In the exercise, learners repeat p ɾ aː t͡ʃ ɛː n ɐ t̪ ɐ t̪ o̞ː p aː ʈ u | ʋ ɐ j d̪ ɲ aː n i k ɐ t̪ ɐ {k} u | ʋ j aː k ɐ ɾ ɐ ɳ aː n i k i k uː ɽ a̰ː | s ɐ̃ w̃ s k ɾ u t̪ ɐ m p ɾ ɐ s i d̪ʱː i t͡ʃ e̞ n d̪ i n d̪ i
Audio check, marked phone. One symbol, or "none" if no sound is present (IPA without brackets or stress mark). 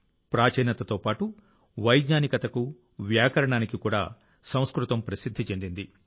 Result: k